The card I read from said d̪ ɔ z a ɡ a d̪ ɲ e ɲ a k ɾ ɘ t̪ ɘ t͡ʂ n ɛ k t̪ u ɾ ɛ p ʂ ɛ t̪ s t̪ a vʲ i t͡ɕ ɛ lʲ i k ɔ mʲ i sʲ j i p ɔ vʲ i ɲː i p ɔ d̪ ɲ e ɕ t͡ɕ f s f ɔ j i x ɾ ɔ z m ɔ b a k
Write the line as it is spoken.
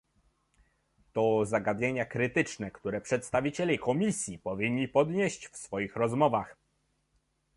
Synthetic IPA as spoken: t̪ ɔ z a ɡ a d̪ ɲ e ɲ a k ɾ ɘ t̪ ɘ t͡ʂ n ɛ k t̪ u ɾ ɛ p ʂ ɛ t̪ s t̪ a vʲ i t͡ɕ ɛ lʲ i k ɔ mʲ i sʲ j i p ɔ vʲ i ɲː i p ɔ d̪ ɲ e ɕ t͡ɕ f s f ɔ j i x ɾ ɔ z m ɔ v a x